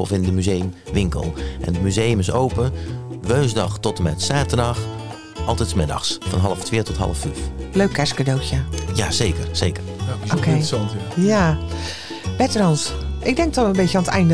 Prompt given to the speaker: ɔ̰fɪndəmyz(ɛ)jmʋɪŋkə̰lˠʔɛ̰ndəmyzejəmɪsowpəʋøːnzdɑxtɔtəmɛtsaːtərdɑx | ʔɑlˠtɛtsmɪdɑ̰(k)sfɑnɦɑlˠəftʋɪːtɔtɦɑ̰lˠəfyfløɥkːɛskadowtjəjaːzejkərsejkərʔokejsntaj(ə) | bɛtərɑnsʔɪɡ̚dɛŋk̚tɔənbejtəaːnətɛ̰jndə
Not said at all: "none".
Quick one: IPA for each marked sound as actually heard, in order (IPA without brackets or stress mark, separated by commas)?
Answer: e, x, a